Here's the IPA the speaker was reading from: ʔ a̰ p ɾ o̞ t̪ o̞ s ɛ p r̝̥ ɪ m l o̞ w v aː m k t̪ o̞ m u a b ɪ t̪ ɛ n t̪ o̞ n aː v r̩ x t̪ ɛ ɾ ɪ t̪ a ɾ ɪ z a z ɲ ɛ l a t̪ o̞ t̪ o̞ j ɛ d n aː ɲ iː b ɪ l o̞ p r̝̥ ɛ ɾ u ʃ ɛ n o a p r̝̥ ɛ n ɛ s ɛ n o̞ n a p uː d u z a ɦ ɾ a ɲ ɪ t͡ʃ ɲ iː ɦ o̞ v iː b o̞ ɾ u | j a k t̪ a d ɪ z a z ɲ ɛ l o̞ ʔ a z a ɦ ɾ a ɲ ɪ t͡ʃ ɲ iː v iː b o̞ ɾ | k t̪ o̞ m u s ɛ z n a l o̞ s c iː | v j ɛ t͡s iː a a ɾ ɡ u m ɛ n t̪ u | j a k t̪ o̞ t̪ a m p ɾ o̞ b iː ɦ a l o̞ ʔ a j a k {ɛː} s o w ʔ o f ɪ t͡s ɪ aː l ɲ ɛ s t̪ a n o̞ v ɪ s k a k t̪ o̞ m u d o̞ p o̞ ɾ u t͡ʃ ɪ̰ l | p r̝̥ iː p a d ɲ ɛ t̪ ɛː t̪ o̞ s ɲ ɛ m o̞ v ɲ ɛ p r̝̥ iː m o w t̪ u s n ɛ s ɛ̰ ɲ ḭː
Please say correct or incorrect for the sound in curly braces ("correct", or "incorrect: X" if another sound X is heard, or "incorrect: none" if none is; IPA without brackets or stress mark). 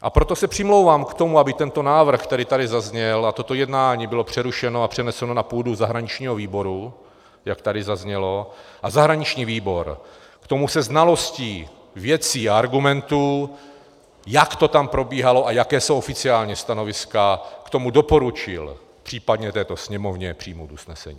correct